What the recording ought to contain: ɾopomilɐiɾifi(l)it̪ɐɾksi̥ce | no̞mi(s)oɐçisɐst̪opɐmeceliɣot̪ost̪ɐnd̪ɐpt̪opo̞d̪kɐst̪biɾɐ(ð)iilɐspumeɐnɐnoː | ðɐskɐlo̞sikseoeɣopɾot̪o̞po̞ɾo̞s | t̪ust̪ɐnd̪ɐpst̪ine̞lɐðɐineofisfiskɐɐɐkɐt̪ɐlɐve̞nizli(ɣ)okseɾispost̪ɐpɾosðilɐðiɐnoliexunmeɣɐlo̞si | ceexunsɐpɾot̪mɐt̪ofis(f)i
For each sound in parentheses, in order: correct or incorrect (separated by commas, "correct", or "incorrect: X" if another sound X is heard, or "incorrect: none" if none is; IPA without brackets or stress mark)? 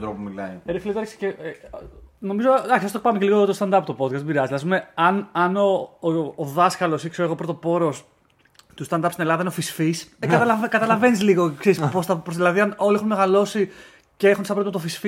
correct, incorrect: z, incorrect: z, correct, correct